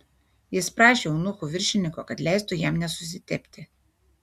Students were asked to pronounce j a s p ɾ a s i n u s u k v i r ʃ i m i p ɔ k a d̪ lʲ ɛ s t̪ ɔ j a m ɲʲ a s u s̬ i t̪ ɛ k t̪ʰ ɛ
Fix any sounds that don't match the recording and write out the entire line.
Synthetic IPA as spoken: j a s p ɾ a ʃ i n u x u v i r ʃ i n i k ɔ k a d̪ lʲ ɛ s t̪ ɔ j a m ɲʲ a s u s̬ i t̪ ɛ p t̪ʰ ɛ